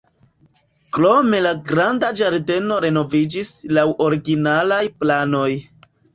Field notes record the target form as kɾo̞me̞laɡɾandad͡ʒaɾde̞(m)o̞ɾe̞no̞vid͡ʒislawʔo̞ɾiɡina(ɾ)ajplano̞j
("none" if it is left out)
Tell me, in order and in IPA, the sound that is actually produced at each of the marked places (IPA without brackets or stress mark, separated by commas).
n, l